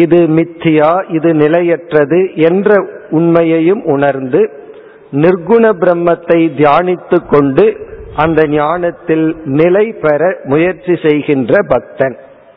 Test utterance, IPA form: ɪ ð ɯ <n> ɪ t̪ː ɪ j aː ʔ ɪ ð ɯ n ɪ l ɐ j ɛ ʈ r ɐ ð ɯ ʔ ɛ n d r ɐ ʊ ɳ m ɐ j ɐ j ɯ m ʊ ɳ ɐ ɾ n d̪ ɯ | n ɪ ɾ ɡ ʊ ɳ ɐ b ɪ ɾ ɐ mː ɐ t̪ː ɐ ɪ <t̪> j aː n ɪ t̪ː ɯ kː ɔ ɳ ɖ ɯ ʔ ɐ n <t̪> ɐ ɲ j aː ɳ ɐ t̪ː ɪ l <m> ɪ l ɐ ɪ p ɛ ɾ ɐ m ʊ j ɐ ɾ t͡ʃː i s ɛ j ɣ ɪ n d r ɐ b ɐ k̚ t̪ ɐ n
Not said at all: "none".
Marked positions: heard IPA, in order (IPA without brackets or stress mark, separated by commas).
m, d̪, d̪, n